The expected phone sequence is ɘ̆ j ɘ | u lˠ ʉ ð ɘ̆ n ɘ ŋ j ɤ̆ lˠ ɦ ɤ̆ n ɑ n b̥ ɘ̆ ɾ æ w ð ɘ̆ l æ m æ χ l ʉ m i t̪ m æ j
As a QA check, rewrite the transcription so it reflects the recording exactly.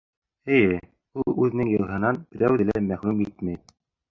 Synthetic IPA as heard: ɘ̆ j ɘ | u lˠ ʉ ð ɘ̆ n ɘ ŋ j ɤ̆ lˠ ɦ ɤ̆ n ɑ n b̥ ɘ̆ ɾ æ w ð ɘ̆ l æ m æ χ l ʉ m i t̪ m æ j